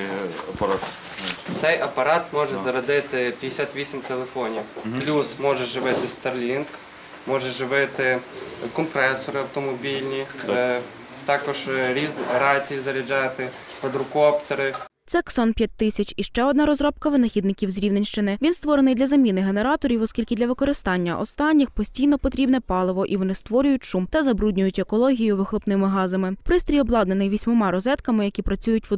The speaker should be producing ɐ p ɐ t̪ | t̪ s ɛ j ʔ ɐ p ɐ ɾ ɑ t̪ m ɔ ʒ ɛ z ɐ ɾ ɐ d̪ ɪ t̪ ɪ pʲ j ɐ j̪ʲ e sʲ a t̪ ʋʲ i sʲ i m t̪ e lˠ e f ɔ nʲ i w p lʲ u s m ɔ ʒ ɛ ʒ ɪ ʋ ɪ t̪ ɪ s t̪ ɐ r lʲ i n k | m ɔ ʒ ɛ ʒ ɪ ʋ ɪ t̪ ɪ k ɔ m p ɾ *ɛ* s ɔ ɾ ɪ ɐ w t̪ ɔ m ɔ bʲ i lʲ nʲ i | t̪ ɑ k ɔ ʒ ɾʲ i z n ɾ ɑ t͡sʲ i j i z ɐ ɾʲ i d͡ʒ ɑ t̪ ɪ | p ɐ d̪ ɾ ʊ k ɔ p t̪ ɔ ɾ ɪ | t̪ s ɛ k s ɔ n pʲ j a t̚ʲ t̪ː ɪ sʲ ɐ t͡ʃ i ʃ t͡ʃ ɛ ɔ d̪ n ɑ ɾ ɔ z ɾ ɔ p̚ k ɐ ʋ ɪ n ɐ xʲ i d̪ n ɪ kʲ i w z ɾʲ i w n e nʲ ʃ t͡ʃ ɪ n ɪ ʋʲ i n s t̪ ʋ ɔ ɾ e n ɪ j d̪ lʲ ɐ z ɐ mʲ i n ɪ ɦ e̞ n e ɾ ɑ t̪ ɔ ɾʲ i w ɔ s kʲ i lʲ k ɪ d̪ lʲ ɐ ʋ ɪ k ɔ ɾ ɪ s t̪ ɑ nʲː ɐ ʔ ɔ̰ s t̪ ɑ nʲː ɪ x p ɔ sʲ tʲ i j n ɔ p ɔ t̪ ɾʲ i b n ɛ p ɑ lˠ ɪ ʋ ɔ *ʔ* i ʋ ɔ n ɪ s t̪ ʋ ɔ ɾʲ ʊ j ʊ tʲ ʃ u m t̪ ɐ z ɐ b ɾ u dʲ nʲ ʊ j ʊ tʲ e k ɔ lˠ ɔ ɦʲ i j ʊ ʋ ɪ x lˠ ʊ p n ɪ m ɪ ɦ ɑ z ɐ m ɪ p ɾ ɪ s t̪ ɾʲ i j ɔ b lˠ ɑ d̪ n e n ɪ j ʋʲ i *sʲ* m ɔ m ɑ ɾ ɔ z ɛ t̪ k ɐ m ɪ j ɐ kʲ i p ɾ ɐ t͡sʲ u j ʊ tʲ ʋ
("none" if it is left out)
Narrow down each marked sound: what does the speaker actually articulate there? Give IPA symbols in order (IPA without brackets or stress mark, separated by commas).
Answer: ɛ, ʔ, sʲ